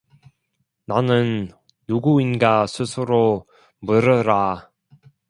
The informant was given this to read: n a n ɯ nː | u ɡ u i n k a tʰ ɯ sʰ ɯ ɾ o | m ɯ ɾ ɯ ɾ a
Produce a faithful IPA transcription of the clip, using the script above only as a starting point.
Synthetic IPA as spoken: n a n ɯ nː | u ɡ u i n ɡ a sʰ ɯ sʰ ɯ ɾ o | m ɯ ɾ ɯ ɾ a